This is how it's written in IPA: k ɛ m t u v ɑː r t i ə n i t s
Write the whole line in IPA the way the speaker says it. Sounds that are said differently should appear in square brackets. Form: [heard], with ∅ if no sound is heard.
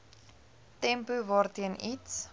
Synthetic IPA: [t] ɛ m [p] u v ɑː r t i ə n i t s